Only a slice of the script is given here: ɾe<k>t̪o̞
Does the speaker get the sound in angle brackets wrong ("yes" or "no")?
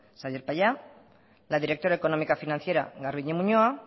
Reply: no